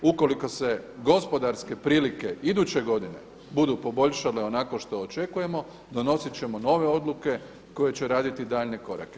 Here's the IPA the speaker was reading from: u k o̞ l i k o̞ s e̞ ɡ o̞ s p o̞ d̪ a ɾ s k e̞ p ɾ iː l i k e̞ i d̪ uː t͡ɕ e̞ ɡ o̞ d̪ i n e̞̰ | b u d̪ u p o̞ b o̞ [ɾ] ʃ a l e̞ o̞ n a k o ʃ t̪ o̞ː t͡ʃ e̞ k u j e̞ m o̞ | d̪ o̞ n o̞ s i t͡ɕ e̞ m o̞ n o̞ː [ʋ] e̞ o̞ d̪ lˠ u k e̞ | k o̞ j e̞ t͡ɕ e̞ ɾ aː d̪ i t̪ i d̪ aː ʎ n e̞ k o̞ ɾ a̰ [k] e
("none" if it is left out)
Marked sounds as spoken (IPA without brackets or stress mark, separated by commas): ʎ, ʋ, k